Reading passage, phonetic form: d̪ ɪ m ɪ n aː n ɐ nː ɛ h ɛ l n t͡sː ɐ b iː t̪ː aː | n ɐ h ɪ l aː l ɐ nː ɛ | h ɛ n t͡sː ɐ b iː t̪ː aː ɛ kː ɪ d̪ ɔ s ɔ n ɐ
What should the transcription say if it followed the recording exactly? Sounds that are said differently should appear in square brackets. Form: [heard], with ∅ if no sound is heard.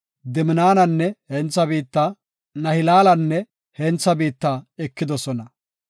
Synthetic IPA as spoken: d̪ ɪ m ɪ n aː n ɐ nː ɛ h ɛ [∅] n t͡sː ɐ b iː t̪ː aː | n ɐ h ɪ l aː l ɐ nː ɛ | h ɛ n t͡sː ɐ b iː t̪ː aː ɛ kː ɪ d̪ ɔ s ɔ n ɐ